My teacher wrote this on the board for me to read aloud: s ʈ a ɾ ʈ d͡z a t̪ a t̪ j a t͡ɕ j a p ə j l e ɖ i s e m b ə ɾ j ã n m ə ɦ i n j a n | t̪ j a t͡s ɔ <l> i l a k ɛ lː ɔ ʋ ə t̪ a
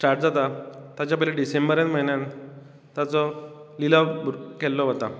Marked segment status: correct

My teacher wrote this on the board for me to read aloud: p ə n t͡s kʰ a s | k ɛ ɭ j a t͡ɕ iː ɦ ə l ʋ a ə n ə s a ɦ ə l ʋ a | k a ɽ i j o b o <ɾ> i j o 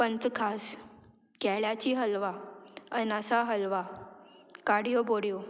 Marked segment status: incorrect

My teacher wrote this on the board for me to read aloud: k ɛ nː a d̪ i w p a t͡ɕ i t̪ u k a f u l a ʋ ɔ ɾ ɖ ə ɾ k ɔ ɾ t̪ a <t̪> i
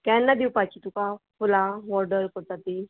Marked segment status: correct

